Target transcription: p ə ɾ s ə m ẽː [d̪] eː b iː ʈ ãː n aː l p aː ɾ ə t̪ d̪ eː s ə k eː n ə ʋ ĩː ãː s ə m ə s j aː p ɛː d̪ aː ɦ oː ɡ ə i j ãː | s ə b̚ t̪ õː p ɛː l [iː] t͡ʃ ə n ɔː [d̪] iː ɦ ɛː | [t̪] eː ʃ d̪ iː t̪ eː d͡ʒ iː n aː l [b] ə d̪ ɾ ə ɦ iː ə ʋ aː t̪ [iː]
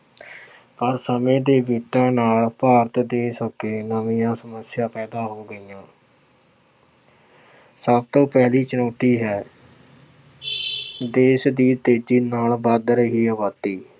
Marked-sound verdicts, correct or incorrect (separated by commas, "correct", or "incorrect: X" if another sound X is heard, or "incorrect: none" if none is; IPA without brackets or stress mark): correct, correct, incorrect: t̪, incorrect: d̪, correct, correct